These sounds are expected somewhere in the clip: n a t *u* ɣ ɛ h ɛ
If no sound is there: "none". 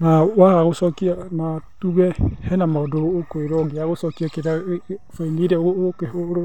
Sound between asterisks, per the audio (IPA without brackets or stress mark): u